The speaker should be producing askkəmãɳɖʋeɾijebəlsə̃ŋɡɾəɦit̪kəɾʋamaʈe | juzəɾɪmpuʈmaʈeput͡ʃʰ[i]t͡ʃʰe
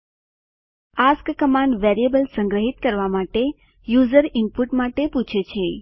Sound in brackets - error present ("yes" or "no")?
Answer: yes